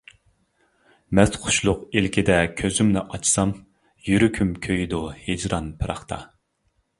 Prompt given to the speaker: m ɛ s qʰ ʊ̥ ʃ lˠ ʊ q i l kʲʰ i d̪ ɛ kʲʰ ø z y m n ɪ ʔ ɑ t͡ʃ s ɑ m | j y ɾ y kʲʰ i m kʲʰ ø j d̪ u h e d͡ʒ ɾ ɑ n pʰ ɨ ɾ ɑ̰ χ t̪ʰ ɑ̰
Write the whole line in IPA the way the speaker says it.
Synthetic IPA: m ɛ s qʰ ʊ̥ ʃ lˠ ʊ q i l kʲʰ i d̪ ɛ kʲʰ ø z y m n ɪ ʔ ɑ t͡ʃ s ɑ m | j y ɾ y kʲʰ y m kʲʰ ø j d̪ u h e d͡ʒ ɾ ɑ n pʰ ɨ ɾ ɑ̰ χ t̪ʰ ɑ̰